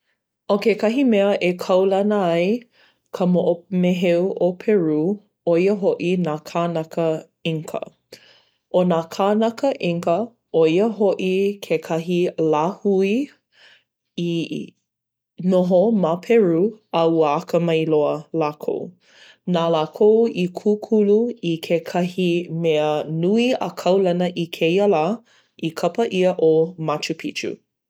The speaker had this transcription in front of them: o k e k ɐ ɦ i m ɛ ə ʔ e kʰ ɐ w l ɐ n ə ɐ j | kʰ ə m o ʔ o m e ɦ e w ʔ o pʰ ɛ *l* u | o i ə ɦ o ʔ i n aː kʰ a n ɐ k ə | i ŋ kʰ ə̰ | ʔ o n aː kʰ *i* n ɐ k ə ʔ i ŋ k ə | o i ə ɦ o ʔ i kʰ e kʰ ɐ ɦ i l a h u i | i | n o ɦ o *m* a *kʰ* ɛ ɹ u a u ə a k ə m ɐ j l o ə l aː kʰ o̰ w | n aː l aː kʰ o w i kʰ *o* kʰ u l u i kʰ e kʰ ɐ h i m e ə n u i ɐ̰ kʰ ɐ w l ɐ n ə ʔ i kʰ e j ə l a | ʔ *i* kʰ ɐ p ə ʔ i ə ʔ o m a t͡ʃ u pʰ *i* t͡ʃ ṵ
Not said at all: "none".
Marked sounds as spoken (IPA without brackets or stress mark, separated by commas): ɹ, a, m, pʰ, u, i, i